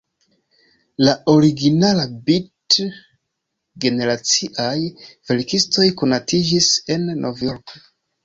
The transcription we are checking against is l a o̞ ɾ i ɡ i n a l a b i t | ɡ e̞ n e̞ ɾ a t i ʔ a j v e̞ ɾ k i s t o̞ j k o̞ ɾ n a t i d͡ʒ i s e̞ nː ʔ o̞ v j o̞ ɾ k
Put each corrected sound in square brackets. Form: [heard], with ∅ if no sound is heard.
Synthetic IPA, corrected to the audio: l a o̞ ɾ i ɡ i n a l a b i t | ɡ e̞ n e̞ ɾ a [t͡s] i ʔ a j v e̞ ɾ k i s t o̞ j k o̞ [∅] n a t i d͡ʒ i s e̞ nː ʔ o̞ v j o̞ ɾ k

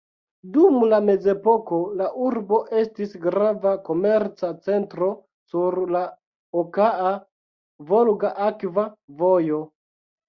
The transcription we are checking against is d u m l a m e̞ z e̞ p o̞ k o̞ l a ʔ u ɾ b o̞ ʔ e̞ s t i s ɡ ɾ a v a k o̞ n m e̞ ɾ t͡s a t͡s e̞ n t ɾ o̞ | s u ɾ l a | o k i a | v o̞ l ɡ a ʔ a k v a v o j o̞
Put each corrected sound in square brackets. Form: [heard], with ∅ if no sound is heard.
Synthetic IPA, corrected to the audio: d u m l a m e̞ z e̞ p o̞ k o̞ l a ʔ u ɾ b o̞ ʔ e̞ s t i s ɡ ɾ a v a k o̞ [∅] m e̞ ɾ t͡s a t͡s e̞ n t ɾ o̞ | s u ɾ l a | o k [a] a | v o̞ l ɡ a ʔ a k v a v o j o̞

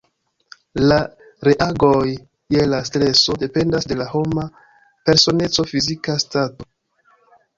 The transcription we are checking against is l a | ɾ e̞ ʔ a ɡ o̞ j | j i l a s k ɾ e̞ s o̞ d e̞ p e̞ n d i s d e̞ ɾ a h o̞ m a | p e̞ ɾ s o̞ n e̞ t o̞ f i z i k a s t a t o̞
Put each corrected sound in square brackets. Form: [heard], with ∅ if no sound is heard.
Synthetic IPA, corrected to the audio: l a | ɾ e̞ ʔ a ɡ o̞ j | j [e] l a s [t] ɾ e̞ s o̞ d e̞ p e̞ n d [a] s d e̞ [l] a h o̞ m a | p e̞ ɾ s o̞ n e̞ [t͡s] o̞ f i z i k a s t a t o̞

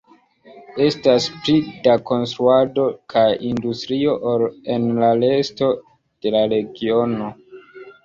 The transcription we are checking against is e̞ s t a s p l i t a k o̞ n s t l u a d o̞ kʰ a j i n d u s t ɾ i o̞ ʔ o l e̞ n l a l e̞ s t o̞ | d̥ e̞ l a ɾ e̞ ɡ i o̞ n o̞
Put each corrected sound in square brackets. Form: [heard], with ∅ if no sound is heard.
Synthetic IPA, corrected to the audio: e̞ s t a s p l i [d] a k o̞ n s t [ɾ] u a d o̞ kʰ a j i n d u s t ɾ i o̞ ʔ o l e̞ n l a l e̞ s t o̞ | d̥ e̞ l a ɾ e̞ ɡ i o̞ n o̞

